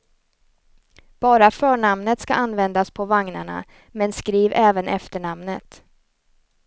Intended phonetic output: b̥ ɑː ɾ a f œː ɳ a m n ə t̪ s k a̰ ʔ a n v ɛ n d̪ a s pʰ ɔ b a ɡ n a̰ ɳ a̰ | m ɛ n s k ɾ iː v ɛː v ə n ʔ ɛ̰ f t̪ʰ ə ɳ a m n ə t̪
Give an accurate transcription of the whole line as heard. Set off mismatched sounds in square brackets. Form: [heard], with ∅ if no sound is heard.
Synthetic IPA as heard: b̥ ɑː ɾ a f œː ɳ a m n ə t̪ s k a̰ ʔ a n v ɛ n d̪ a s pʰ ɔ [v] a [ŋ] n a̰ ɳ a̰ | m ɛ n s k ɾ iː v ɛː v ə n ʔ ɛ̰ f [t̪] ə ɳ a m n ə t̪